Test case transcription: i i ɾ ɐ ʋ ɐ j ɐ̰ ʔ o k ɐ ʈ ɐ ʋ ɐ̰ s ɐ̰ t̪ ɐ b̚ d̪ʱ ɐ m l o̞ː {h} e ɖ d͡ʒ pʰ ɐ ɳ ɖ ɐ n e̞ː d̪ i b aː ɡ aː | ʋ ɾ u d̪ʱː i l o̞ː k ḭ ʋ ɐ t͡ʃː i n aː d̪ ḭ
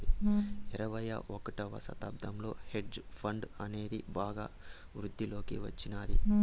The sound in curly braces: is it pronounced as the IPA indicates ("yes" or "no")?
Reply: yes